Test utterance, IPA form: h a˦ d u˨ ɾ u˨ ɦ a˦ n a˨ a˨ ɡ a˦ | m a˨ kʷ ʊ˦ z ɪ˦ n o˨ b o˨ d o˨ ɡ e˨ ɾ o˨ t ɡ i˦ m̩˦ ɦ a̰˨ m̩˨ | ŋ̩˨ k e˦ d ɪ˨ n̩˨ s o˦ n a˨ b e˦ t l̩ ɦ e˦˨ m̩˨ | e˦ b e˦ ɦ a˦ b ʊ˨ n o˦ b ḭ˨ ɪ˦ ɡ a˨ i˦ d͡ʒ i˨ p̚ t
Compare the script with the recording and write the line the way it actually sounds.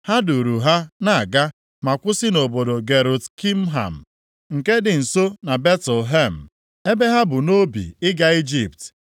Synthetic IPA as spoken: h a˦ d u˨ ɾ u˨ ɦ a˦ n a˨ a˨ ɡ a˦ | m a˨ kʷ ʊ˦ s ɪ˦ n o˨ b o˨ d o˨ ɡ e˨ ɾ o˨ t k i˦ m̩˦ ɦ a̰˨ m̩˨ | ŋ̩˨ k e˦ d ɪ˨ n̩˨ s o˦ n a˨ b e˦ t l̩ ɦ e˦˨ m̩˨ | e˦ b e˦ ɦ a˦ b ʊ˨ n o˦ b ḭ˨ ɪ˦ ɡ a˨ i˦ d͡ʒ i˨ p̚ t

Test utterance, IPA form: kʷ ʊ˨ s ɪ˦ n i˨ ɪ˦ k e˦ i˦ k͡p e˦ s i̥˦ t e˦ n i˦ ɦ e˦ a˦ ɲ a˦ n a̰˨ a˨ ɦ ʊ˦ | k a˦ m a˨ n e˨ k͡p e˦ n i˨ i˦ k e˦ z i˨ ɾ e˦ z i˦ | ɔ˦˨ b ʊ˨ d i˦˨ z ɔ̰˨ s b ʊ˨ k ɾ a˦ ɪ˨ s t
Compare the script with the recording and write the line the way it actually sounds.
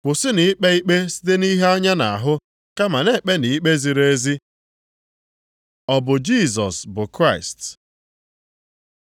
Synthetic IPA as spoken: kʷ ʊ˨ s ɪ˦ n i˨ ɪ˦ k͡p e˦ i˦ k͡p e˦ s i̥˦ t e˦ n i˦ ɦ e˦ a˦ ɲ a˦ n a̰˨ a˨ ɦ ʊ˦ | k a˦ m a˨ n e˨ k͡p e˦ n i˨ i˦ k͡p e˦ z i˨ ɾ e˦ z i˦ | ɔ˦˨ b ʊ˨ d͡ʒ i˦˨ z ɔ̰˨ s b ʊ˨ k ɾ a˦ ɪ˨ s t

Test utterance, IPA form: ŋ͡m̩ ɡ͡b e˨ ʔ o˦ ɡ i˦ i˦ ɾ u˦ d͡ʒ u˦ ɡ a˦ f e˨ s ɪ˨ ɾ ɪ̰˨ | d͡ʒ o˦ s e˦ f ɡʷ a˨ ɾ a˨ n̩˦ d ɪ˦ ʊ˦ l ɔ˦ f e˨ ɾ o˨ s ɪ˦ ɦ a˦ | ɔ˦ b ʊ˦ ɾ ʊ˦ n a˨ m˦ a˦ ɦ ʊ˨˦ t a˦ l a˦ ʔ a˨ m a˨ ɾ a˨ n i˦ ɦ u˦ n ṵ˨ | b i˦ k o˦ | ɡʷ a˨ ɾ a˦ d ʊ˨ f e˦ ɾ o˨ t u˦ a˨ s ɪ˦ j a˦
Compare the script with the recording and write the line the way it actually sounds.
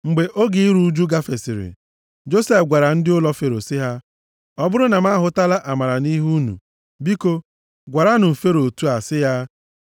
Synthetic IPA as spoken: ŋ͡m̩ ɡ͡b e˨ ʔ o˦ ɡ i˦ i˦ ɾ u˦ d͡ʒ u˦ ɡ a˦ f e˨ s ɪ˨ ɾ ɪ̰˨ | d͡ʒ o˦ s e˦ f ɡʷ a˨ ɾ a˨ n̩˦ d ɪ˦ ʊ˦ l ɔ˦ f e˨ ɾ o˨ s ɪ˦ ɦ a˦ | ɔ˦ b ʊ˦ ɾ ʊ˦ n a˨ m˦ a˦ ɦ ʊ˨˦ t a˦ l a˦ ʔ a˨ m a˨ ɾ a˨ n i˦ ɦ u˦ n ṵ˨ | b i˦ k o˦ | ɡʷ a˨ ɾ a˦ n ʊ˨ f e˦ ɾ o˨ t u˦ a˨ s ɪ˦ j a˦

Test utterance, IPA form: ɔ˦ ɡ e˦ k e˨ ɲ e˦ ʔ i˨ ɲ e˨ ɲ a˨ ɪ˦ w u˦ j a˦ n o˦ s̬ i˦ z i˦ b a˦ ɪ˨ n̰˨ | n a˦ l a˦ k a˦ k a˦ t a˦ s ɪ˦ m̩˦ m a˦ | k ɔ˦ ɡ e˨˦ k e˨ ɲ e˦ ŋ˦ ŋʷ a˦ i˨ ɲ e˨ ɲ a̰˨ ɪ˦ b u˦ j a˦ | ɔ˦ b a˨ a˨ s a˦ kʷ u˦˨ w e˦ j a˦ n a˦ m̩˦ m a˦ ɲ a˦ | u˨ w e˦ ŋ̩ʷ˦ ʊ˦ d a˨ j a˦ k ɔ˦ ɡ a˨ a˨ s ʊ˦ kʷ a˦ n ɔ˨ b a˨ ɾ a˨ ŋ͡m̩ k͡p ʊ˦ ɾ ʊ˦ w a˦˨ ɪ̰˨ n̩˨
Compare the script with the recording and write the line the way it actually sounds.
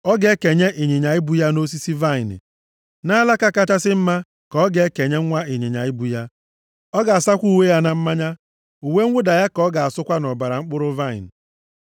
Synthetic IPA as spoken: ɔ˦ ɡ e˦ k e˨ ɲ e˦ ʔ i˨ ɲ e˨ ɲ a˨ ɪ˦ b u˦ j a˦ n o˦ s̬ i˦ s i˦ v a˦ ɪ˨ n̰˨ | n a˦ l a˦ k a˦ k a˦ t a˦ s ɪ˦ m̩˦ m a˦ | k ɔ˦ ɡ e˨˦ k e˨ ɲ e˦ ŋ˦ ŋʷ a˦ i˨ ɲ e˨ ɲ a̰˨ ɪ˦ b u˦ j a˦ | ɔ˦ ɡ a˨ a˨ s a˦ kʷ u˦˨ w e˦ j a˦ n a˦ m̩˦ m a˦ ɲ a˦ | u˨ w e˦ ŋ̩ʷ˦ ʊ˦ d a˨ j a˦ k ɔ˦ ɡ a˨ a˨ s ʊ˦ kʷ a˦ n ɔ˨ b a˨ ɾ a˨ ŋ͡m̩ k͡p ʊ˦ ɾ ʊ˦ v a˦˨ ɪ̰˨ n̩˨

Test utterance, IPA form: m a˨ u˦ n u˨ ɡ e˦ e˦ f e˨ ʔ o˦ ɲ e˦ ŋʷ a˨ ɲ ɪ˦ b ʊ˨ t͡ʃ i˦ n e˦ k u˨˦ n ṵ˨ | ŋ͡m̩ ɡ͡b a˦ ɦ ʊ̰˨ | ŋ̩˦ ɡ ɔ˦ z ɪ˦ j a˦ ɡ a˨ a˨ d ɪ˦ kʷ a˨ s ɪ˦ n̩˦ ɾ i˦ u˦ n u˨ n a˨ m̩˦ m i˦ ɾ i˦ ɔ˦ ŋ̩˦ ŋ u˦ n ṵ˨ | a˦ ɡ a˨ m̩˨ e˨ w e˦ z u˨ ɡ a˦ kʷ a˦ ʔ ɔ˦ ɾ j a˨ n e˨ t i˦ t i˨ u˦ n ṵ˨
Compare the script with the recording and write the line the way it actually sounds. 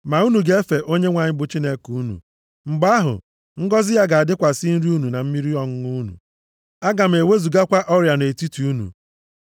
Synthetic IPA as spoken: m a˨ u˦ n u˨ ɡ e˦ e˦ f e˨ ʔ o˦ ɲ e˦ ŋʷ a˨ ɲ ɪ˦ b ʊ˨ t͡ʃ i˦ n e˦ k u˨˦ n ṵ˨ | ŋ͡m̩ ɡ͡b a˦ ɦ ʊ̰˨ | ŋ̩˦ ɡ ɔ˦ z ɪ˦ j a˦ ɡ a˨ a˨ d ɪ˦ kʷ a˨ s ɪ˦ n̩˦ ɾ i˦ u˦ n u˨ n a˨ m̩˦ m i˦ ɾ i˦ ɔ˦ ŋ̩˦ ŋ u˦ n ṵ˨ | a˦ ɡ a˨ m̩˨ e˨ w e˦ z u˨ ɡ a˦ kʷ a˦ ʔ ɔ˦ ɾ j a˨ n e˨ t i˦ t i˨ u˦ n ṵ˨

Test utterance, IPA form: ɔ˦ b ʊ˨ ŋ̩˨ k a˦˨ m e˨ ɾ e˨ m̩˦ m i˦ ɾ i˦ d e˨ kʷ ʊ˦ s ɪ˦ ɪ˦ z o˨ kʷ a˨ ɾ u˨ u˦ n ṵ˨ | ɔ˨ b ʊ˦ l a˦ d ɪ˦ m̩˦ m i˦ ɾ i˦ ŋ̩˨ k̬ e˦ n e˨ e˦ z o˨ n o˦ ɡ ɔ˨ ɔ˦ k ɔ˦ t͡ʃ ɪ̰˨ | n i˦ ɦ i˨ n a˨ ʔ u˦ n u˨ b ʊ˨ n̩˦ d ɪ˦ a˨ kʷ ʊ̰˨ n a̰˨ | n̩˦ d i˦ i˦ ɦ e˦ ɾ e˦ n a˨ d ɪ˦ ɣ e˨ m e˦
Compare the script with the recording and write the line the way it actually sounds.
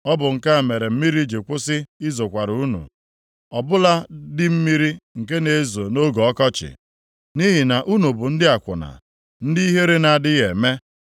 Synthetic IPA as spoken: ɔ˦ b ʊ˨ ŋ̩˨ k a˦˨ m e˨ ɾ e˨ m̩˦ m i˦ ɾ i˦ d͡ʒ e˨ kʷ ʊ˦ s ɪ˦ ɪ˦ z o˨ kʷ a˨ ɾ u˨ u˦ n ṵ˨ | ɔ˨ b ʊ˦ l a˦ d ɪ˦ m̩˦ m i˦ ɾ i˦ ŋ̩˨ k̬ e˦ n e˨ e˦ z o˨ n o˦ ɡ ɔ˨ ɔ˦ k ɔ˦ t͡ʃ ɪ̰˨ | n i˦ ɦ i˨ n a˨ ʔ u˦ n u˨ b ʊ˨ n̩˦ d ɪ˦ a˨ kʷ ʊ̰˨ n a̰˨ | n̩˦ d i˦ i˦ ɦ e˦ ɾ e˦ n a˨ d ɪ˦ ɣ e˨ m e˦

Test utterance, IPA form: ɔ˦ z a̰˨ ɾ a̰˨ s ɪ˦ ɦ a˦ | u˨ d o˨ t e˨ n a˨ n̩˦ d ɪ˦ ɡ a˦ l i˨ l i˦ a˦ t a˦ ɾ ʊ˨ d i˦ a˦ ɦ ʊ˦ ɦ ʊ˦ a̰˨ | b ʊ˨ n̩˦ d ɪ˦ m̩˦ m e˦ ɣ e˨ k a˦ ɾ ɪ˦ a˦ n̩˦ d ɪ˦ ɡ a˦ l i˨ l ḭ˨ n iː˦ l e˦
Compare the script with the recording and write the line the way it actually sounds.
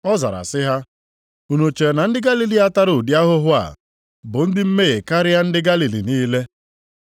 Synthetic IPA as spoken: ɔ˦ z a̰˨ ɾ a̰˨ s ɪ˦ ɦ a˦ | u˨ n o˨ t͡ʃ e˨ n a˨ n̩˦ d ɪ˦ ɡ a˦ l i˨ l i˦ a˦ t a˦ ɾ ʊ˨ d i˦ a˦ ɦ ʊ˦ ɦ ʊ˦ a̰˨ | b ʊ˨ n̩˦ d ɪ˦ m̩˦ m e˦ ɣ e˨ k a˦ ɾ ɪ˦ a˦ n̩˦ d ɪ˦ ɡ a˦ l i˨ l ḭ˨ n iː˦ l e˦

